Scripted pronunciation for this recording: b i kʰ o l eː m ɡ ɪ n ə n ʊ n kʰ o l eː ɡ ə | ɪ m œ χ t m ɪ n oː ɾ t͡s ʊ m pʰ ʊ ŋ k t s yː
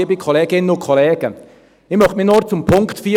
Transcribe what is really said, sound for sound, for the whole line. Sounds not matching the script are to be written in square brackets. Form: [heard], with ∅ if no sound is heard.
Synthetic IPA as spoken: b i kʰ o l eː [∅] ɡ ɪ n ə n ʊ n kʰ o l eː ɡ ə | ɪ m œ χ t m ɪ n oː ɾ t͡s ʊ m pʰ ʊ ŋ k t [f] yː